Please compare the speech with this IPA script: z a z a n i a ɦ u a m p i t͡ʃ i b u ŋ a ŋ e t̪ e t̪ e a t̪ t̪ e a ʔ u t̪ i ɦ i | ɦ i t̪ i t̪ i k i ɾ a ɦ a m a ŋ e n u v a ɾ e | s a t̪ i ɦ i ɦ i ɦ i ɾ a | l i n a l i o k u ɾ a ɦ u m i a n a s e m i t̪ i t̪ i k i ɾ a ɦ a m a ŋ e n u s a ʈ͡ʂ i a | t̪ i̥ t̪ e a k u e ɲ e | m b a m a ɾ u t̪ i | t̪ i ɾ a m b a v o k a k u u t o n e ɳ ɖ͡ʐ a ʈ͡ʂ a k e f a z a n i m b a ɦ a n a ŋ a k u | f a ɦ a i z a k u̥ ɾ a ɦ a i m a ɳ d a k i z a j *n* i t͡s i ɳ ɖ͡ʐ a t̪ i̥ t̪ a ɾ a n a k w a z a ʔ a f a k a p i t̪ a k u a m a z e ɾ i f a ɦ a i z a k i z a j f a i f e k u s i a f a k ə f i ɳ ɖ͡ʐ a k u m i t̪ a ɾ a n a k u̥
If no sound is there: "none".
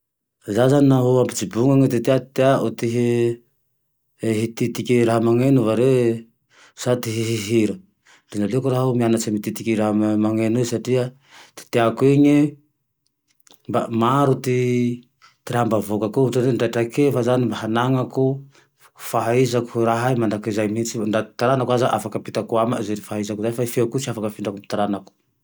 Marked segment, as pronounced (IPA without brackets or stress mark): m